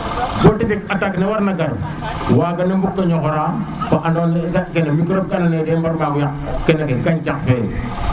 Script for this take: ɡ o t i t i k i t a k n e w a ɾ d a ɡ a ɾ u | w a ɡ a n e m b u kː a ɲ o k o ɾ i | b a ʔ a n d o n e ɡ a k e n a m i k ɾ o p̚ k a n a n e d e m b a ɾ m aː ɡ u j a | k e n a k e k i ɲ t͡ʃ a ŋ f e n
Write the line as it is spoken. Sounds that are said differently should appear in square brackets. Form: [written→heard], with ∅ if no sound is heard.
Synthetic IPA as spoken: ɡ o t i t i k [i→a] t a k n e w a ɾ [d→n] a ɡ a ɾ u | w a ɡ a n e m b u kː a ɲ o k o ɾ [i→a] | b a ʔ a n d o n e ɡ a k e n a m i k ɾ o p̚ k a n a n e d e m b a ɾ m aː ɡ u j a | k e n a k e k [i→a] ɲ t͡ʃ a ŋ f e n